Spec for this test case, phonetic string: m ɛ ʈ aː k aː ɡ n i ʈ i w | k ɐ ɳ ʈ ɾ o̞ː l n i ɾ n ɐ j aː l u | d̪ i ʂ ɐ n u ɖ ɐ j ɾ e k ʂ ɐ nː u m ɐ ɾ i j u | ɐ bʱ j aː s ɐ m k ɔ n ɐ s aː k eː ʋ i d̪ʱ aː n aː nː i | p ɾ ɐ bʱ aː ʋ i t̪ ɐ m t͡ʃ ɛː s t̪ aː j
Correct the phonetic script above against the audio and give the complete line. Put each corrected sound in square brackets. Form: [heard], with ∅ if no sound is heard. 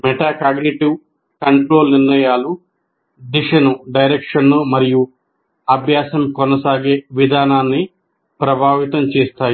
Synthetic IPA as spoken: m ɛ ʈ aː k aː ɡ n i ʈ i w | k ɐ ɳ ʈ ɾ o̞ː l n i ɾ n ɐ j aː l u | d̪ i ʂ ɐ n u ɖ ɐ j ɾ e k ʂ ɐ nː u m ɐ ɾ i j u | ɐ bʱ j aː s ɐ m k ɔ n ɐ s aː [ɡ] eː ʋ i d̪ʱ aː n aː nː i | p ɾ ɐ bʱ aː ʋ i t̪ ɐ m t͡ʃ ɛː s t̪ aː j